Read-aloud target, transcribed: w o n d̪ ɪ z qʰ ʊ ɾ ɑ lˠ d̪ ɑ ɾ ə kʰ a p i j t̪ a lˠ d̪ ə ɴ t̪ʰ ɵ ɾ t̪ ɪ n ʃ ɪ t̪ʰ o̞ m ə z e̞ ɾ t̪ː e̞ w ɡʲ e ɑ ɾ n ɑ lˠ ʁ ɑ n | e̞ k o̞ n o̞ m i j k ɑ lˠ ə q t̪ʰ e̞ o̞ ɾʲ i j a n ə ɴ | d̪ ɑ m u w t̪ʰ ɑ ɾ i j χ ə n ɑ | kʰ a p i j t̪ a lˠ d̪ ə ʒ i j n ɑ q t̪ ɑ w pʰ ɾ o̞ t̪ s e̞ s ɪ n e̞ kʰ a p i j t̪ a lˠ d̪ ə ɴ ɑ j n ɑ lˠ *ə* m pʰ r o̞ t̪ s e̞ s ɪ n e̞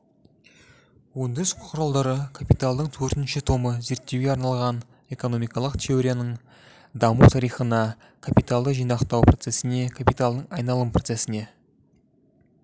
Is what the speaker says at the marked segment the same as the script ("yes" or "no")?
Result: yes